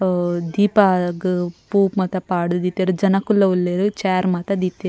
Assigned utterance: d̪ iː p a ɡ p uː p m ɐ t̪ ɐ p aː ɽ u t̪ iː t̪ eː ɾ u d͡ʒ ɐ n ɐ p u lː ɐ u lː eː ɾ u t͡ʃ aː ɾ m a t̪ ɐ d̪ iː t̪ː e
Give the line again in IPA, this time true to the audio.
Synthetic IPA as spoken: d̪ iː p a ɡ p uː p m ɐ t̪ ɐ p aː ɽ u d̪ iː t̪ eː ɾ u d͡ʒ ɐ n ɐ k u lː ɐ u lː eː ɾ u t͡ʃ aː ɾ m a t̪ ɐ d̪ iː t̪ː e